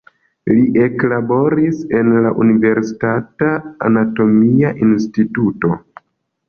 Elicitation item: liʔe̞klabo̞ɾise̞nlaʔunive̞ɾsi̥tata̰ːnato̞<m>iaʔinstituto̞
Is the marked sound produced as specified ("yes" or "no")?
yes